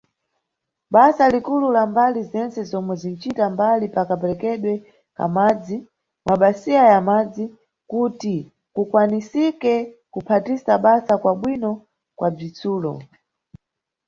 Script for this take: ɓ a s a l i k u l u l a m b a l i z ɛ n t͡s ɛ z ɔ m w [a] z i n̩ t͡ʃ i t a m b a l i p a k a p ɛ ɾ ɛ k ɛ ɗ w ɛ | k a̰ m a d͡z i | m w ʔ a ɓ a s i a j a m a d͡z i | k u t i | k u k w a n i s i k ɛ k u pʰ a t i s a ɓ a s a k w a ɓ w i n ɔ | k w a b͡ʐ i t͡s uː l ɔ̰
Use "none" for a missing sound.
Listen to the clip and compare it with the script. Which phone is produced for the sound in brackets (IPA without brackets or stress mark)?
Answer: ɛ